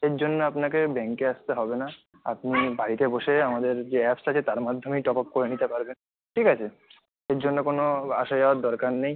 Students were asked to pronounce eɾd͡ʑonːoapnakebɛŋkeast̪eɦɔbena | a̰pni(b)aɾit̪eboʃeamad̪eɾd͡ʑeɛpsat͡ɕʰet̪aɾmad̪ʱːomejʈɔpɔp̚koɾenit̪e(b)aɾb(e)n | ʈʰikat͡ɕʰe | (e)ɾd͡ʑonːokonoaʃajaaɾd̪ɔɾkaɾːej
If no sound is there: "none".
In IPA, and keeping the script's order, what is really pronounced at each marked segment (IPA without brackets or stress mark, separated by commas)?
b, p, e, e